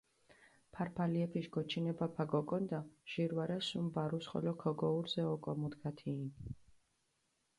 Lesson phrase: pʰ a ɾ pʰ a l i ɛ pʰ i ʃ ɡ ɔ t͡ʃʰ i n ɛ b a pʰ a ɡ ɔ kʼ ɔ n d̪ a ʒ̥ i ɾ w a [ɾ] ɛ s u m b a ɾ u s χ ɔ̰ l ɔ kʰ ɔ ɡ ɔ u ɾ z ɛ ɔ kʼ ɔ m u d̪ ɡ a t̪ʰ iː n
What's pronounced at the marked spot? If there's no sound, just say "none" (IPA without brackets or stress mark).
ɾ